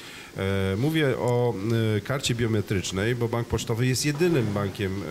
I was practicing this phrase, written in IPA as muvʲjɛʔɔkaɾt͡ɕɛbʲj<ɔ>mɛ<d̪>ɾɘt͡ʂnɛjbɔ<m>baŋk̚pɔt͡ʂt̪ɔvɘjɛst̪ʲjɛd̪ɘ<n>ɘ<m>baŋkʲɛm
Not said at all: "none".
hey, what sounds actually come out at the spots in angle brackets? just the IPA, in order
ɔ, t̪, none, n, m

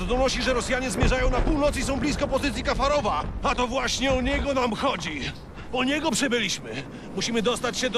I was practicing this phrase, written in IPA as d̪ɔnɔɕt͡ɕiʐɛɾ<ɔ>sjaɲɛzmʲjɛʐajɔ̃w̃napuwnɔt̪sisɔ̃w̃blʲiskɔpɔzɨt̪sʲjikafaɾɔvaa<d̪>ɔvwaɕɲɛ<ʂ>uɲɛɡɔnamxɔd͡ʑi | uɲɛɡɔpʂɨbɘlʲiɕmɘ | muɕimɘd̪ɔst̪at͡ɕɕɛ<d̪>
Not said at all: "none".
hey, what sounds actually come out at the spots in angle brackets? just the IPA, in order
ɔ, t̪, none, d̪

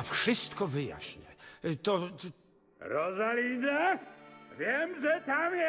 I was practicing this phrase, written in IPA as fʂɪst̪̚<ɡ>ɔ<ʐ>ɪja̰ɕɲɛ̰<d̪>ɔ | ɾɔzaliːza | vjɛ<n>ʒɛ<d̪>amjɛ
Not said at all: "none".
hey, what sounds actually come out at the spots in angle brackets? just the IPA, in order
k, v, t̪, m, t̪

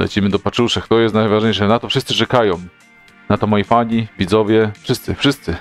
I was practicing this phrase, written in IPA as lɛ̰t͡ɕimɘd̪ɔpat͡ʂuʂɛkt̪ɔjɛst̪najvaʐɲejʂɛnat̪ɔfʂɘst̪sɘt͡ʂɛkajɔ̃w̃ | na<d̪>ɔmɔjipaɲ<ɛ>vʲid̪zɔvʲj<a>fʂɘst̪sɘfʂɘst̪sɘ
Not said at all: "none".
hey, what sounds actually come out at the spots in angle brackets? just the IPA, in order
t̪, i, ɛ

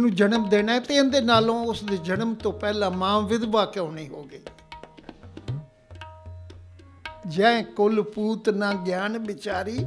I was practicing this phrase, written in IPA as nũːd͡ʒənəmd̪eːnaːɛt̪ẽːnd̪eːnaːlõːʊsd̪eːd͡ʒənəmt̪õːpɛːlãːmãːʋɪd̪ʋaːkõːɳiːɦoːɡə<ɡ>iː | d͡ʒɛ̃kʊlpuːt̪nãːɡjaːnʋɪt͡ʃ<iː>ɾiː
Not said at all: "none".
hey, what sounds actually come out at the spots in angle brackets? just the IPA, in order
none, aː

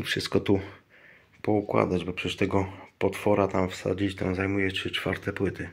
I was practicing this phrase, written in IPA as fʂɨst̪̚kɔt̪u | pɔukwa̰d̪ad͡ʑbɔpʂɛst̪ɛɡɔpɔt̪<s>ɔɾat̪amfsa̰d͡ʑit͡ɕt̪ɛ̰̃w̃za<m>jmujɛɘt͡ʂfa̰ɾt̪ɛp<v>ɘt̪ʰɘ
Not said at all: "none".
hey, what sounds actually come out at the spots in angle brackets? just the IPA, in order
f, none, w

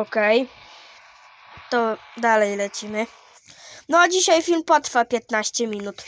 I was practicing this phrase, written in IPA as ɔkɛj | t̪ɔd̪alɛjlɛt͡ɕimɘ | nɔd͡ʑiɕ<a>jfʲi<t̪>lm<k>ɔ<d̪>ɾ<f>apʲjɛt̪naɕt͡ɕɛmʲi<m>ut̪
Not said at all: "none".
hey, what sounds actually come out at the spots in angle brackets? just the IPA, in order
a, none, p, t̪, f, n

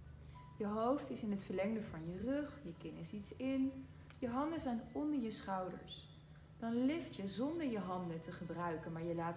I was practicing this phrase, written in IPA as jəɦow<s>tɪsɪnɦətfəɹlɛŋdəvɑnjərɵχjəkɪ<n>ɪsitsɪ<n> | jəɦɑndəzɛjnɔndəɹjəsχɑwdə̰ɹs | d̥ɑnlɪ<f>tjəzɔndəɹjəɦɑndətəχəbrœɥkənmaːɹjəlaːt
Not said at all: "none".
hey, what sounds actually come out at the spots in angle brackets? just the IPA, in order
f, n, n, f

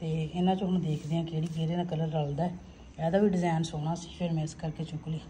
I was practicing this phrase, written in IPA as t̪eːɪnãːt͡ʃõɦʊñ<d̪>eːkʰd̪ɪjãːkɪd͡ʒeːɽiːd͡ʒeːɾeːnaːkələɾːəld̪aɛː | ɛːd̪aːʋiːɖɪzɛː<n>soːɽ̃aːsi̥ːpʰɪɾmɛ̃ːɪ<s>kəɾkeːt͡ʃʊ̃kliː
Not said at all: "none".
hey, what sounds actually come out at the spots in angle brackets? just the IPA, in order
d̪, n, s

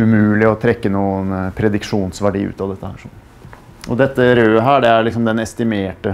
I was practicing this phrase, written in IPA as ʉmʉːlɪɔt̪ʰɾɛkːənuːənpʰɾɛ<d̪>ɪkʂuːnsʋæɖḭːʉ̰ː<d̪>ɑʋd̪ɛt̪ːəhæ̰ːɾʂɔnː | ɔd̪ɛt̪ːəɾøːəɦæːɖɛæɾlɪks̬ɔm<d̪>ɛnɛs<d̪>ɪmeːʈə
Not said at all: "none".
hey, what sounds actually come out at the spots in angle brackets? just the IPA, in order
d̪, t̪, d̪, t̪

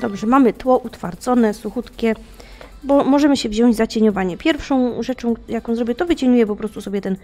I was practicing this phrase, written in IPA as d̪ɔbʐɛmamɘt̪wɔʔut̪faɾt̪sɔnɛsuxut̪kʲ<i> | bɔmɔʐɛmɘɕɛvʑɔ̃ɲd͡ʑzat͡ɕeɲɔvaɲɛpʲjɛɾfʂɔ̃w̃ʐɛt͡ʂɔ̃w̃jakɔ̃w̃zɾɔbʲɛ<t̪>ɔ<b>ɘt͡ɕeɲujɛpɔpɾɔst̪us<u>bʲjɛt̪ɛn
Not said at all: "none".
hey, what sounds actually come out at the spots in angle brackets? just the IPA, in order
ɛ, t̪, v, ɔ

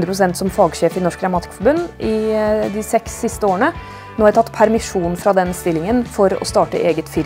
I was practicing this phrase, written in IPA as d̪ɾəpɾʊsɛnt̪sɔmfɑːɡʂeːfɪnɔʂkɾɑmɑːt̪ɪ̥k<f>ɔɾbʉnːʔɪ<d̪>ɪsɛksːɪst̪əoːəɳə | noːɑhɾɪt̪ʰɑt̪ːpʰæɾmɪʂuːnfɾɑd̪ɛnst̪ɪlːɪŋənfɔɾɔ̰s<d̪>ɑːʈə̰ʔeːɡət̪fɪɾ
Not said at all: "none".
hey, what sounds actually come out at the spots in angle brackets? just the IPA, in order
f, d̪, t̪

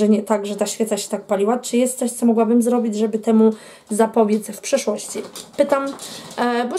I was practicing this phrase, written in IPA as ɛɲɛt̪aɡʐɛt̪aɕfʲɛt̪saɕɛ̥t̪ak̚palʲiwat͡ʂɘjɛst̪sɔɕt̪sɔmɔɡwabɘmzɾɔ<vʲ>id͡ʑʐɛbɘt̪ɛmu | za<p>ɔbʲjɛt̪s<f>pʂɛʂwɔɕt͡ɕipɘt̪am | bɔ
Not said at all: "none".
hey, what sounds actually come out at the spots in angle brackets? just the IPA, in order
bʲ, p, f

